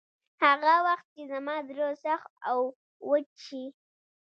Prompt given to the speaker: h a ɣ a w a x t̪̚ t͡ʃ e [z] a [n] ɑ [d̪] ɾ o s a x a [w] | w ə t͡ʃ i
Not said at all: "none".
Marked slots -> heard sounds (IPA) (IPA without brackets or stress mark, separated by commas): z, m, d̪, w